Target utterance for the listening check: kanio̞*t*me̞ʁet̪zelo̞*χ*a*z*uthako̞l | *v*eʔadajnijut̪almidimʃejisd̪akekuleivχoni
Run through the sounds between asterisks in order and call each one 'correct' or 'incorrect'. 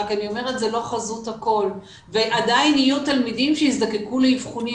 incorrect, correct, correct, correct

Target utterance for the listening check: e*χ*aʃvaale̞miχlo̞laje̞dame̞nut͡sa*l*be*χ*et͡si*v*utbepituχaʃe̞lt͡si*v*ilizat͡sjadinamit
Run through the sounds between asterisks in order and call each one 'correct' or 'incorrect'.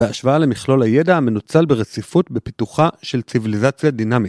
incorrect, correct, incorrect, incorrect, correct

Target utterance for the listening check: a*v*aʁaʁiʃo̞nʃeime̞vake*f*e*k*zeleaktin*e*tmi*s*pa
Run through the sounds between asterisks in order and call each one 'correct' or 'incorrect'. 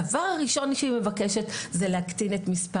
correct, incorrect, incorrect, correct, correct

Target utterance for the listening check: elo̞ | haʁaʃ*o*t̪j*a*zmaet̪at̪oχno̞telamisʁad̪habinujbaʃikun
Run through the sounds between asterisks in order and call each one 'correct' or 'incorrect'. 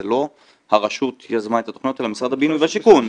incorrect, correct

